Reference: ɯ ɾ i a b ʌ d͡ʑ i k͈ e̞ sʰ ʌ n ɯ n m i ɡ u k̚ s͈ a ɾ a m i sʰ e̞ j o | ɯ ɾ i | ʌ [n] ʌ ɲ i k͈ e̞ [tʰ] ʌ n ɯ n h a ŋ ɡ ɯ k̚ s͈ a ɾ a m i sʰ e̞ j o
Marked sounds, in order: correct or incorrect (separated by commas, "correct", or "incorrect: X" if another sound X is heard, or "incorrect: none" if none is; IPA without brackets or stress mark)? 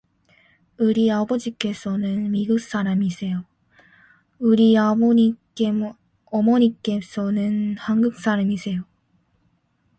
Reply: incorrect: m, incorrect: sʰ